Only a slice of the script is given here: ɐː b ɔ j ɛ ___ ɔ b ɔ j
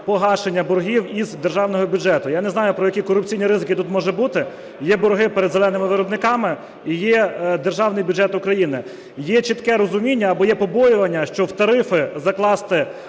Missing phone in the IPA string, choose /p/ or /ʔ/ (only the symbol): p